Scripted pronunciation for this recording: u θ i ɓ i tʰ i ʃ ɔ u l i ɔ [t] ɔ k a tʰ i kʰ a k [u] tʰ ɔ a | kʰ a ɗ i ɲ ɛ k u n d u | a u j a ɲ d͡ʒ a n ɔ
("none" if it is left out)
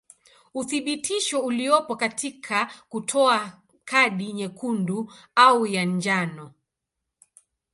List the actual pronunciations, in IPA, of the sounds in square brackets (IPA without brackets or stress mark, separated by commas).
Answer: p, u